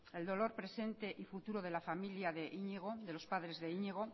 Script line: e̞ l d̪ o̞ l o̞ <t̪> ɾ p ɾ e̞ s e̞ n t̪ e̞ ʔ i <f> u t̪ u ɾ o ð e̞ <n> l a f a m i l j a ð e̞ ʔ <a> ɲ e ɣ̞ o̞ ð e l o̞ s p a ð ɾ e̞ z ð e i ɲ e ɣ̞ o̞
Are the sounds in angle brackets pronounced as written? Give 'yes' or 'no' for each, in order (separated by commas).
no, yes, no, no